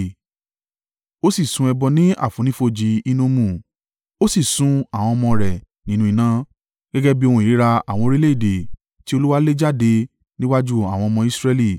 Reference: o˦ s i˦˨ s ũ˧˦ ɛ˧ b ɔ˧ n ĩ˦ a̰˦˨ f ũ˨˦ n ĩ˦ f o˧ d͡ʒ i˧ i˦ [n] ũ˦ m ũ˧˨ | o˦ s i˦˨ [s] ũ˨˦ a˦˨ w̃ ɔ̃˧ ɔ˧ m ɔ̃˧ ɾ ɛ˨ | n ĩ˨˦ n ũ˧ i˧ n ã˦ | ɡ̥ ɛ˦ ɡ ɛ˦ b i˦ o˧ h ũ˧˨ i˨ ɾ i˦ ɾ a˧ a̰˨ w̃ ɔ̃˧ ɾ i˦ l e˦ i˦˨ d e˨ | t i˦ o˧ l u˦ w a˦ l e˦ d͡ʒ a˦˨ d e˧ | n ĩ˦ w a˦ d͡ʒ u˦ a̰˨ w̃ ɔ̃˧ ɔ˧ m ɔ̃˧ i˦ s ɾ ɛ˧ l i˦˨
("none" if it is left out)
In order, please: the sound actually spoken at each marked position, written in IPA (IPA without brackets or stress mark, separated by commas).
n, s